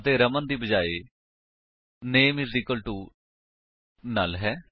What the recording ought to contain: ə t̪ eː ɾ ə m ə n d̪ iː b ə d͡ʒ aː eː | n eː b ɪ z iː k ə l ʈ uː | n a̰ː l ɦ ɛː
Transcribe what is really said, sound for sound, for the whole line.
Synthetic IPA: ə t̪ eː ɾ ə m ə n d̪ iː b ə d͡ʒ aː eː | n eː m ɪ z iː k ə l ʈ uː | n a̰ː l ɦ ɛː